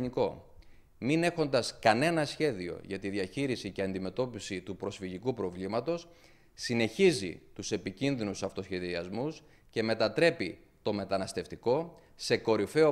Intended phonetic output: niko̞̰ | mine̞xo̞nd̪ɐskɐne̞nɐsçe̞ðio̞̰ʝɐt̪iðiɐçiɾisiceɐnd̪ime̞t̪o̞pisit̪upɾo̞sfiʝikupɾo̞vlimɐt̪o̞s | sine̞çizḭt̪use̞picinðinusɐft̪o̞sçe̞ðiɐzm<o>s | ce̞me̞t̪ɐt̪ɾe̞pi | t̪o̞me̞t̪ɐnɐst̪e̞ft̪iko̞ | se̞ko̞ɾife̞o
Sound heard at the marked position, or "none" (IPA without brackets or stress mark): u